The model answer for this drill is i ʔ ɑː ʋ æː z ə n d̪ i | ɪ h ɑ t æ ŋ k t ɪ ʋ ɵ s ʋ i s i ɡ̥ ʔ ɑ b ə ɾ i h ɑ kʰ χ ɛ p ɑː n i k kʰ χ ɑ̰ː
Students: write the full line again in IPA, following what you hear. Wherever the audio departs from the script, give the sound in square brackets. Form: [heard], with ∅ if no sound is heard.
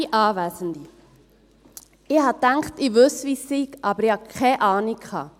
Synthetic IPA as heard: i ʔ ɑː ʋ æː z ə n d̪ i | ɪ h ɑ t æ ŋ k t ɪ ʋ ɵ s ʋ i s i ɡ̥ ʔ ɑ b ə ɾ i h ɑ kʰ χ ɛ [ʔ] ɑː n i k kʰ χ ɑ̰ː